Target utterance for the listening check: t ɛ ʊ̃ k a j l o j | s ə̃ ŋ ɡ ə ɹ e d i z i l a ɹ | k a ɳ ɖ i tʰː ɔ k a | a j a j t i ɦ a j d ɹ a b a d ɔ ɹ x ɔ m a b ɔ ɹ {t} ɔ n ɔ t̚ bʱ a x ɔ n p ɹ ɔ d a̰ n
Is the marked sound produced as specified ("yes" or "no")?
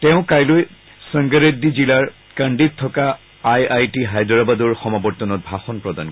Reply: yes